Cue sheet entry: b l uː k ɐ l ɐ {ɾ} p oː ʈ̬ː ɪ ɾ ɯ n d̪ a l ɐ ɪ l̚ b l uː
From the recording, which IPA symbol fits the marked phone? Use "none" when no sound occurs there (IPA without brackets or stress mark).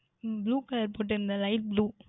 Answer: ɾ